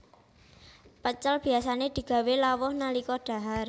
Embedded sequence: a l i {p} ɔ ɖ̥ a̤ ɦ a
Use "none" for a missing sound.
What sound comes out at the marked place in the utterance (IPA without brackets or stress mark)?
k